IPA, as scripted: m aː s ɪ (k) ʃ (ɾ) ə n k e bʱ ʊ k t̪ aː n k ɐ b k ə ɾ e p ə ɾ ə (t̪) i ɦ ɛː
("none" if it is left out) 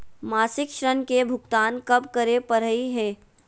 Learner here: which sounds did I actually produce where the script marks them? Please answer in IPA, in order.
k, ɾ, none

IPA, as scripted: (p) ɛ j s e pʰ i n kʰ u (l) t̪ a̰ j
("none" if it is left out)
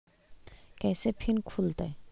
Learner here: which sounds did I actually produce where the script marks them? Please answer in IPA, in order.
k, l

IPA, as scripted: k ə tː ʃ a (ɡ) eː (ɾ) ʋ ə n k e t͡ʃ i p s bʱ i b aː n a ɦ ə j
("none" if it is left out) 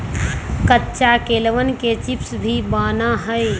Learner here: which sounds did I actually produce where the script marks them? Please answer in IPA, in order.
k, l

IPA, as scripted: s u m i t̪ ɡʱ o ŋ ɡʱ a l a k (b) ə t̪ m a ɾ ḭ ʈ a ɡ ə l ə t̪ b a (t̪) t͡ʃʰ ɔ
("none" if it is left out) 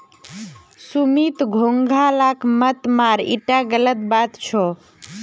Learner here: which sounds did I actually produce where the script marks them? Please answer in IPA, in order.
m, t̪

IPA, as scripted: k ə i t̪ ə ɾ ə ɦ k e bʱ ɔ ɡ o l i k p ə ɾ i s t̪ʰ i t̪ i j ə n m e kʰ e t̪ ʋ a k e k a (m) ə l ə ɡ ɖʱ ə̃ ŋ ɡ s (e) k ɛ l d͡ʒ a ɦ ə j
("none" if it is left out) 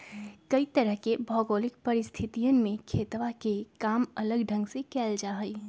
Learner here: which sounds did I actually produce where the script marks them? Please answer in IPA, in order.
m, e

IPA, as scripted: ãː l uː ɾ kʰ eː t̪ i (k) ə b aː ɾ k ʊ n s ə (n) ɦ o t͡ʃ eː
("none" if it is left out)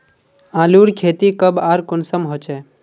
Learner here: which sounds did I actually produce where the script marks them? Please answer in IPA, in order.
k, m

